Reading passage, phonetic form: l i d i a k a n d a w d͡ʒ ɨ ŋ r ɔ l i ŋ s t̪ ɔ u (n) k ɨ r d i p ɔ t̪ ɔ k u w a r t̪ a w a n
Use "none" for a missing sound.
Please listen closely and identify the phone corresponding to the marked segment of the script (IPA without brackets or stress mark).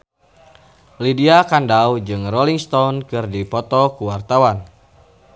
n